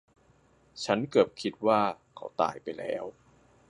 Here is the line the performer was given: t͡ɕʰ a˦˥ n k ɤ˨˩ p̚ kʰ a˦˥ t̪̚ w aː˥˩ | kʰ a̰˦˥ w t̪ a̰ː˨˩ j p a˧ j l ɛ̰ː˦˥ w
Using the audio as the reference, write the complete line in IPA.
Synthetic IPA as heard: t͡ɕʰ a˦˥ n k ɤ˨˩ p̚ kʰ i˦˥ t̪̚ w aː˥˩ | kʰ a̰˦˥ w t̪ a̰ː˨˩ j p a˧ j l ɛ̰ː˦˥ w